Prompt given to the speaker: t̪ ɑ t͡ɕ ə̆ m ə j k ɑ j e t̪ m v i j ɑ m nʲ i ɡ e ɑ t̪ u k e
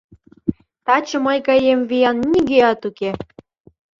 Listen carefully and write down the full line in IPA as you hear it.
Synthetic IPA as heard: t̪ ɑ t͡ɕ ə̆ m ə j k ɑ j e m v i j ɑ n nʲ i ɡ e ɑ t̪ u k e